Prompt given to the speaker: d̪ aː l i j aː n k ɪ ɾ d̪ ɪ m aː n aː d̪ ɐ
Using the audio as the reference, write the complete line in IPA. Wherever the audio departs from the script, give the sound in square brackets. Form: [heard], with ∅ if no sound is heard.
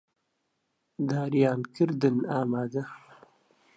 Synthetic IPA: d̪ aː [ɾ] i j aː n k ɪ ɾ d̪ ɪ [n] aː [m] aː d̪ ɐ